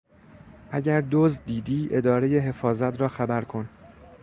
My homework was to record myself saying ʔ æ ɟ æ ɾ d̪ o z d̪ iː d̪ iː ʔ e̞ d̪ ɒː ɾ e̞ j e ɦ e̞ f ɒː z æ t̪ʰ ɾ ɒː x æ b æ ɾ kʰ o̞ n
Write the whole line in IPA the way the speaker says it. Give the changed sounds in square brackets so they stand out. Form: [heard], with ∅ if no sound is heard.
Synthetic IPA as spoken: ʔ æ ɟ æ ɾ d̪ o z d̪ iː d̪ iː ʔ e̞ d̪ ɒː ɾ e̞ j e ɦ e̞ f ɒː z æ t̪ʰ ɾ ɒː x æ b æ ɾ kʰ o̞ n